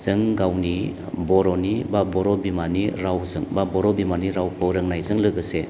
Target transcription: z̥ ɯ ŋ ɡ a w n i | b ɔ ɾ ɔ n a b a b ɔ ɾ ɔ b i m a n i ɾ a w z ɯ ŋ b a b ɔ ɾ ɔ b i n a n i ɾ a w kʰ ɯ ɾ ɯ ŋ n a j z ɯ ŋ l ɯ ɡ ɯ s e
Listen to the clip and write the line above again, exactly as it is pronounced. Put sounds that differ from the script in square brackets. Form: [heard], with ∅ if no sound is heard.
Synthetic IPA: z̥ ɯ ŋ ɡ a w n i | b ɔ ɾ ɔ n [i] b a b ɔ ɾ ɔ b i m a n i ɾ a w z ɯ ŋ b a b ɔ ɾ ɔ b i [m] a n i ɾ a w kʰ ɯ ɾ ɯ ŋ n a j z ɯ ŋ l ɯ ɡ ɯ s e